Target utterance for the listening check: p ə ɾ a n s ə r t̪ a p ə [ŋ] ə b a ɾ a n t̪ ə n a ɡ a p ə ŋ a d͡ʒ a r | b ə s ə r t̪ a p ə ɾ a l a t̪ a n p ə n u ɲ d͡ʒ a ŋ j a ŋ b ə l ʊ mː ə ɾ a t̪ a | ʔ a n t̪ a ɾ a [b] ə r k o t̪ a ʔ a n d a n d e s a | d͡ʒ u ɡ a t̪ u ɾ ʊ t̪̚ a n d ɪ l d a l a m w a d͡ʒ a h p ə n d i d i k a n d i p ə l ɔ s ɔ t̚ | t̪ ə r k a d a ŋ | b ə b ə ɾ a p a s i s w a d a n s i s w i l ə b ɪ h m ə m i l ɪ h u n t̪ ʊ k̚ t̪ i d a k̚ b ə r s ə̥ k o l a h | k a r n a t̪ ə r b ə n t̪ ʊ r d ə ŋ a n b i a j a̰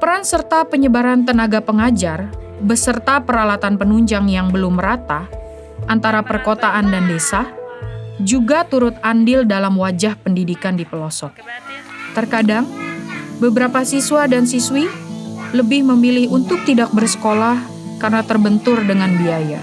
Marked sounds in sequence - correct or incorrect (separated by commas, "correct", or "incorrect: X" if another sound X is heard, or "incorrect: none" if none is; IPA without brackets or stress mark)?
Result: incorrect: ɲ, incorrect: p